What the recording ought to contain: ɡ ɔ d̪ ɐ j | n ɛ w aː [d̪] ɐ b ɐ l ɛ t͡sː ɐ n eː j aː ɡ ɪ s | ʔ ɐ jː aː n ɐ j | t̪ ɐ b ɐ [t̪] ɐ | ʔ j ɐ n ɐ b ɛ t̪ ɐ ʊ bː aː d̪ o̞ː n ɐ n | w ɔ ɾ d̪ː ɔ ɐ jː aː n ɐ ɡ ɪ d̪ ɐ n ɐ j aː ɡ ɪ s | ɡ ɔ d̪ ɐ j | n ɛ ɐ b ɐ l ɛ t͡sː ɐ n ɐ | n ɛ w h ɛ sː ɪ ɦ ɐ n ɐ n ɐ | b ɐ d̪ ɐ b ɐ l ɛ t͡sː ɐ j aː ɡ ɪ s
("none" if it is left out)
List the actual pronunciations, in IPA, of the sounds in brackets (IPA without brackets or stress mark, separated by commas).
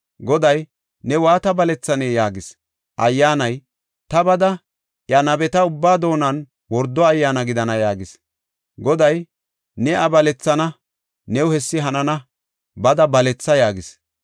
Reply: t̪, d̪